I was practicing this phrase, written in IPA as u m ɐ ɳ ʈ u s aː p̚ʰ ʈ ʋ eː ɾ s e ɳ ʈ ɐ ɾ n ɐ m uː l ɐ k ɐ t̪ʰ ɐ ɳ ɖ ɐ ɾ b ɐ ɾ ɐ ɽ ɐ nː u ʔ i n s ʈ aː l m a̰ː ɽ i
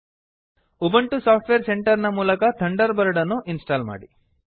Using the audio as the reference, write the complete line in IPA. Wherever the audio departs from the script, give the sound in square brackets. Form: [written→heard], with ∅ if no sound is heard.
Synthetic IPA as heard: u [m→b] ɐ ɳ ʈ u s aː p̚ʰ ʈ ʋ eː ɾ s e ɳ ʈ ɐ ɾ n ɐ m uː l ɐ k ɐ t̪ʰ ɐ ɳ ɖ ɐ ɾ b ɐ ɾ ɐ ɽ ɐ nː u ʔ i n s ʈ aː l m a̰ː ɽ i

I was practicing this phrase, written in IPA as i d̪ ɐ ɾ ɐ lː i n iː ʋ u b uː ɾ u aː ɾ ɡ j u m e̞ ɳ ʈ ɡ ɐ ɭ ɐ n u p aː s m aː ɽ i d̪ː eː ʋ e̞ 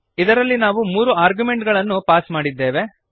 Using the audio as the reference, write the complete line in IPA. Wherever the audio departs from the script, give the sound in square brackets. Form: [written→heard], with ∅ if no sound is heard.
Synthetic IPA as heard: i d̪ ɐ ɾ ɐ lː i n [iː→aː] ʋ u [b→m] uː ɾ u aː ɾ ɡ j u m e̞ ɳ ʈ ɡ ɐ ɭ ɐ [n→nː] u p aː s m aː ɽ i d̪ː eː ʋ e̞

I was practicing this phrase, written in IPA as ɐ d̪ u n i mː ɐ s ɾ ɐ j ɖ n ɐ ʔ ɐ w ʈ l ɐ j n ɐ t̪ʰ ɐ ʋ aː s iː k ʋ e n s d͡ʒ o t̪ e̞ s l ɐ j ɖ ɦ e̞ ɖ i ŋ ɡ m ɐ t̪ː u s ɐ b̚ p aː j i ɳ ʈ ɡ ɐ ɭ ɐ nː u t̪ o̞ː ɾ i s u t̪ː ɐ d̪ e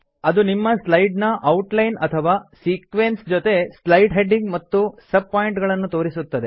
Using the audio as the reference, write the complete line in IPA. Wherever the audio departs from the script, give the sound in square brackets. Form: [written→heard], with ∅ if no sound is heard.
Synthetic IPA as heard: ɐ d̪ u n i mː ɐ s [ɾ→l] ɐ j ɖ n ɐ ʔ ɐ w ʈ l ɐ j n ɐ t̪ʰ ɐ ʋ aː s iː k ʋ e n s d͡ʒ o t̪ e̞ s l ɐ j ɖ ɦ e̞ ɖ i ŋ ɡ m ɐ t̪ː u s ɐ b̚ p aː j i ɳ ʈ ɡ ɐ ɭ ɐ nː u t̪ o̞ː ɾ i s u t̪ː ɐ d̪ e

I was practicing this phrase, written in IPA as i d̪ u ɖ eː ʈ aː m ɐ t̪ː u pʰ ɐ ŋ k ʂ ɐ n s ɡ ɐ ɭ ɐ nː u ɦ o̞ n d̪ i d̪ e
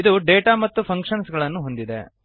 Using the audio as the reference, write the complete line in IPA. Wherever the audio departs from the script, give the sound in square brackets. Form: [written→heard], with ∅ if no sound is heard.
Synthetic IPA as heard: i d̪ u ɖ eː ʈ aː m ɐ t̪ː u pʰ ɐ ŋ k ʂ ɐ n s ɡ ɐ ɭ ɐ nː u ɦ o̞ n d̪ i d̪ e

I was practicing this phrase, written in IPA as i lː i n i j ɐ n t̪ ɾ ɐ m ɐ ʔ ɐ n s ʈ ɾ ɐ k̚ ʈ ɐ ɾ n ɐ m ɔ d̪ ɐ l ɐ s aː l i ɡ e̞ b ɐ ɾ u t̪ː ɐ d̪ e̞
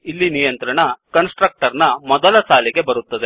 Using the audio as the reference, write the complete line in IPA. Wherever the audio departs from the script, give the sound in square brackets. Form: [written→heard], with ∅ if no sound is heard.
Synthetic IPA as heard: i lː i n i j ɐ n t̪ ɾ ɐ [m→ɳ] ɐ [ʔ→k] ɐ n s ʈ ɾ ɐ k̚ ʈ ɐ ɾ n ɐ m ɔ d̪ ɐ l ɐ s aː l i ɡ e̞ b ɐ ɾ u t̪ː ɐ d̪ e̞

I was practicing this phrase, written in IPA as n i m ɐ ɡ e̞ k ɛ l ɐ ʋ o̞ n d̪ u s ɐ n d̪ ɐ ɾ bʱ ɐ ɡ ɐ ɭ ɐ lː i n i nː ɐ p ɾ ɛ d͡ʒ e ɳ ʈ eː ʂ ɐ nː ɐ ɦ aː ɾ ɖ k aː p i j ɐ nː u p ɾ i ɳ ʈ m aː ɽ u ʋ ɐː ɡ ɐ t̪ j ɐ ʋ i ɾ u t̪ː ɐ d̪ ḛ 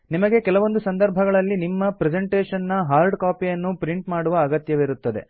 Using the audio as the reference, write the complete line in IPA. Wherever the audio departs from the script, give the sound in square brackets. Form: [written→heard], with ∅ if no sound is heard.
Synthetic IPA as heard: n i m ɐ ɡ e̞ k ɛ l ɐ ʋ o̞ n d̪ u s ɐ n d̪ ɐ ɾ bʱ ɐ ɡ ɐ ɭ ɐ lː i n i [nː→mː] ɐ p ɾ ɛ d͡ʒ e ɳ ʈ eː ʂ ɐ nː ɐ ɦ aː ɾ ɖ k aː p i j ɐ nː u p ɾ i ɳ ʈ m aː ɽ u ʋ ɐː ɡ ɐ t̪ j ɐ ʋ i ɾ u t̪ː ɐ d̪ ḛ

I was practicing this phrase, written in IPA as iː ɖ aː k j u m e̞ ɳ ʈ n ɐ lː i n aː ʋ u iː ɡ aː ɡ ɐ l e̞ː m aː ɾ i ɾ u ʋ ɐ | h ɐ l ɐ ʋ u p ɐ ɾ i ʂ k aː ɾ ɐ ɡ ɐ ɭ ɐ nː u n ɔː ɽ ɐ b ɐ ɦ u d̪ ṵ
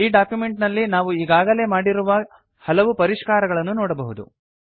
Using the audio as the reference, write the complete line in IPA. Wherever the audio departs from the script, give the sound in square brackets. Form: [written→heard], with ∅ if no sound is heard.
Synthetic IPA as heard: iː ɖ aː k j u m e̞ ɳ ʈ n ɐ lː i n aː ʋ u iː ɡ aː ɡ ɐ l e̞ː m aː [ɾ→ɽ] i ɾ u ʋ ɐ | h ɐ l ɐ ʋ u p ɐ ɾ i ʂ k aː ɾ ɐ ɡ ɐ ɭ ɐ nː u n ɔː ɽ ɐ b ɐ ɦ u d̪ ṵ

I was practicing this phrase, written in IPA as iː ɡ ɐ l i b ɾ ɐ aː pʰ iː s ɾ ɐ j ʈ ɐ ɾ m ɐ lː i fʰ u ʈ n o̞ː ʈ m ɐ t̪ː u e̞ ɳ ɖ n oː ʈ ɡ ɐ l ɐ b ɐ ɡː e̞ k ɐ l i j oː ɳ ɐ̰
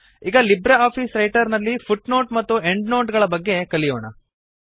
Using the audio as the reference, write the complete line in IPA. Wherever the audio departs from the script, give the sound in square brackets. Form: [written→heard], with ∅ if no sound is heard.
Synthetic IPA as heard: iː ɡ ɐ l i b ɾ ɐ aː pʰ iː s ɾ ɐ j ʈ ɐ ɾ [m→n] ɐ lː i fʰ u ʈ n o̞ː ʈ m ɐ t̪ː u e̞ ɳ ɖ n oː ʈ ɡ ɐ [l→ɭ] ɐ b ɐ ɡː e̞ k ɐ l i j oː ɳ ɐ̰

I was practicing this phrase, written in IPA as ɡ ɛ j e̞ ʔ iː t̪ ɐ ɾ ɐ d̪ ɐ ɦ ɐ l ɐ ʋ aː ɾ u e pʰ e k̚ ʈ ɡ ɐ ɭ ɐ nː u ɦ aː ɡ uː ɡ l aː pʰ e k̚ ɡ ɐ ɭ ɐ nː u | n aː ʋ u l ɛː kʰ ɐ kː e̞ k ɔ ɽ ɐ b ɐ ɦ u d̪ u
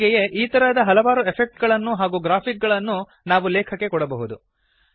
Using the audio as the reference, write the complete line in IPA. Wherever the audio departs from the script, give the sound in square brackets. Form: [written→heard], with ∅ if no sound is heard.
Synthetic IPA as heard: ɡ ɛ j e̞ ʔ iː t̪ ɐ ɾ ɐ d̪ ɐ ɦ ɐ l ɐ ʋ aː ɾ u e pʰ e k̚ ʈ ɡ ɐ ɭ ɐ nː u ɦ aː ɡ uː ɡ [l→ɾ] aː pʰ [e→i] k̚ ɡ ɐ ɭ ɐ nː u | n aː ʋ u l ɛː kʰ ɐ kː e̞ k ɔ ɽ ɐ b ɐ ɦ u d̪ u

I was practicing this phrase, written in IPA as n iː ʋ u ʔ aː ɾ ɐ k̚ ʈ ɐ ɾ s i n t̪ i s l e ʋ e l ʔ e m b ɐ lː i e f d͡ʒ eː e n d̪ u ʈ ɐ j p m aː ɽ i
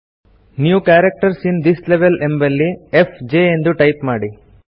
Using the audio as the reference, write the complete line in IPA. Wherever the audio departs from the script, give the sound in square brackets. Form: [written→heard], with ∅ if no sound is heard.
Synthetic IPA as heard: n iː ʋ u [ʔ→k] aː ɾ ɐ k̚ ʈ ɐ ɾ s i n [t̪→d̪] i s l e ʋ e l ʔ e m b ɐ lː i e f d͡ʒ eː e n d̪ u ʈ ɐ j p m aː ɽ i

